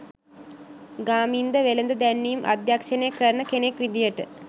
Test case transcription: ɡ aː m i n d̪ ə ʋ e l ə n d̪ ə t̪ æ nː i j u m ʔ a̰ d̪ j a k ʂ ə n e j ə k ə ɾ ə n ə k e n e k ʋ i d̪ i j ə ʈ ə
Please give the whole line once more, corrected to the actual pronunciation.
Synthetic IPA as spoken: ɡ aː m i n d̪ ə ʋ e l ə n d̪ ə d̪ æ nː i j u m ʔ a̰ d̪ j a k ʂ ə n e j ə k ə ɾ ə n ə k e n e k ʋ i d̪ i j ə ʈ ə